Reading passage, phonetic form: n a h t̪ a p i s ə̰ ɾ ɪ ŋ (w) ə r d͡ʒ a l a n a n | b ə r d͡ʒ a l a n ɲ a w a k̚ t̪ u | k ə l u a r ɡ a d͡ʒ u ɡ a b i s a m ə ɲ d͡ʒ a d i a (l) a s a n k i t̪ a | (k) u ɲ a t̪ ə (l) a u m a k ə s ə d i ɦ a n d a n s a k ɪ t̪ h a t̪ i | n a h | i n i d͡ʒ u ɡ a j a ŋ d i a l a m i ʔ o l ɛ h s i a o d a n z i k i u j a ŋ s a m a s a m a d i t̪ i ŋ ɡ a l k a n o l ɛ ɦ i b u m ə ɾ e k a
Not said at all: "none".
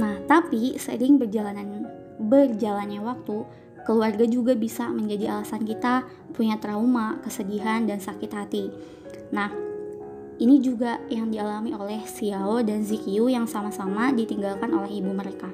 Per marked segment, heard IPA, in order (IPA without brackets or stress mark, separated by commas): b, l, p, ɾ